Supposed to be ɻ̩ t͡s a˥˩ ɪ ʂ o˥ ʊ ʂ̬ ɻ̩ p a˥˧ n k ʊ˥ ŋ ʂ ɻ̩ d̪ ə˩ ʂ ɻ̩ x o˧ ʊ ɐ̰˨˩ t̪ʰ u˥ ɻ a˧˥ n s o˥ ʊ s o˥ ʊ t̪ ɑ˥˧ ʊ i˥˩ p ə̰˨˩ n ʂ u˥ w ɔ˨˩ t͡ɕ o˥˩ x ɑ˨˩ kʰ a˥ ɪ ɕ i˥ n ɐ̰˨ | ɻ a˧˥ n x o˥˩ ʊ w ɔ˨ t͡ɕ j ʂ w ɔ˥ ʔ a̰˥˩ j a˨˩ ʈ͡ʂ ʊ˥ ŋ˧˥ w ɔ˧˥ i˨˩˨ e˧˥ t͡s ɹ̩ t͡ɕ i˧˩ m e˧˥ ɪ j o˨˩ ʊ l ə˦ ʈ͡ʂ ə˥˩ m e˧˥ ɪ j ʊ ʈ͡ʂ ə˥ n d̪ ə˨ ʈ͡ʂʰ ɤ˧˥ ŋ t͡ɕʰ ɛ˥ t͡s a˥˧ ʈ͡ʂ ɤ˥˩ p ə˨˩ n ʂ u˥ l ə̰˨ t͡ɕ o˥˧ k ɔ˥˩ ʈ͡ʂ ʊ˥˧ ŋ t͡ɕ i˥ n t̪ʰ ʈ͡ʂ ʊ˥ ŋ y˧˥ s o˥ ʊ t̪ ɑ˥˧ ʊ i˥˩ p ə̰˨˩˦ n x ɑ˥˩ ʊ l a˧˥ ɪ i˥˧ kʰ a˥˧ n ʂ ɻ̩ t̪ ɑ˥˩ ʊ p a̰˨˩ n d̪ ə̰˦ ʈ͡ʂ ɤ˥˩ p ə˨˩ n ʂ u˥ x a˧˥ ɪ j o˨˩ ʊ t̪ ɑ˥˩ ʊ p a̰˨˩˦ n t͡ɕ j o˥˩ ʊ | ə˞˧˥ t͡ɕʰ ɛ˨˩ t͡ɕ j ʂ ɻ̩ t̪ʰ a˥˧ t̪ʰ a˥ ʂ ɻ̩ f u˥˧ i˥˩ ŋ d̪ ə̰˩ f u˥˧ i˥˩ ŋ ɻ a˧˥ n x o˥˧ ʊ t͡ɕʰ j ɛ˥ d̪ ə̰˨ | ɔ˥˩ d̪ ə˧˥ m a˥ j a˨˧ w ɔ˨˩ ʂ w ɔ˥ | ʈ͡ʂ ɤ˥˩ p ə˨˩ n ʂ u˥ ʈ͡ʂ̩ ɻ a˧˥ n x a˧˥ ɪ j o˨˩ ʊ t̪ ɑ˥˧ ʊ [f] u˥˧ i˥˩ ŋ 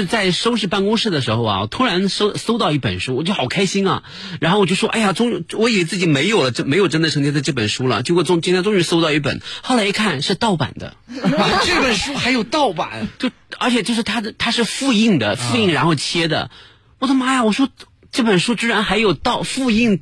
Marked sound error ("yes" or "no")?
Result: no